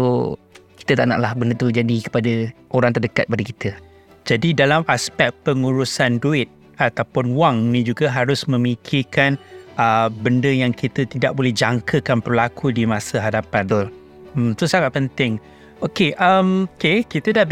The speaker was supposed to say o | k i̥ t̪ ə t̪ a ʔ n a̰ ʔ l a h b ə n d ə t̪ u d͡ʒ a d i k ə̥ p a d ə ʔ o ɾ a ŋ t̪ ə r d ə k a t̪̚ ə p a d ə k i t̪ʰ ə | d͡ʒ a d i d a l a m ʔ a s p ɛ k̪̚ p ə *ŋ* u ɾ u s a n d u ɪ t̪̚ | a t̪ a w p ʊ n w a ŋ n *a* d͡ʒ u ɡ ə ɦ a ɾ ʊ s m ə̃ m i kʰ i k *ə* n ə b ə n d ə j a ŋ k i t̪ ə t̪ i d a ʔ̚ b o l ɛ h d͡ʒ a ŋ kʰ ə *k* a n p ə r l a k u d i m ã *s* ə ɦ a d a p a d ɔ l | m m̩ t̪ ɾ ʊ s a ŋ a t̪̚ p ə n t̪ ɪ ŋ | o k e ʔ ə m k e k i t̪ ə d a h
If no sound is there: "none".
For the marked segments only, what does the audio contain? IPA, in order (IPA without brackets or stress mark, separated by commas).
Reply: ŋ, i, a, k, s